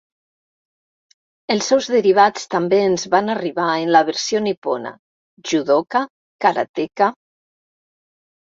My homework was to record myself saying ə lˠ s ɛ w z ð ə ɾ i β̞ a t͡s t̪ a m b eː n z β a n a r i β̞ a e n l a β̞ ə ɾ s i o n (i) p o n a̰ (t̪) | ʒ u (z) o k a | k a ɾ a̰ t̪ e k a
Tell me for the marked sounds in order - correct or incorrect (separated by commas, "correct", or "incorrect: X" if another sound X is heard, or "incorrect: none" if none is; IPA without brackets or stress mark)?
correct, incorrect: none, incorrect: ð